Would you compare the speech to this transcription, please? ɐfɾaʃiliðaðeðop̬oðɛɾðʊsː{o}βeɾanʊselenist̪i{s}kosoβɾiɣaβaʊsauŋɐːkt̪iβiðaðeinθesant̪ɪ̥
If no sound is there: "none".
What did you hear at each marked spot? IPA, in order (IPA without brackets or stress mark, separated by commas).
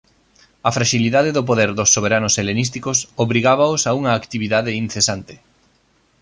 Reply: o, none